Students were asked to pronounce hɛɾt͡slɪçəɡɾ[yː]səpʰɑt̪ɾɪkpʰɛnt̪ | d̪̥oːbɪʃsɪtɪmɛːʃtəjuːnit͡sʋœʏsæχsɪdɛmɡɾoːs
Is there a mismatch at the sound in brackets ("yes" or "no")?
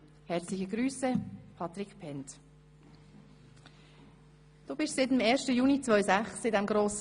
no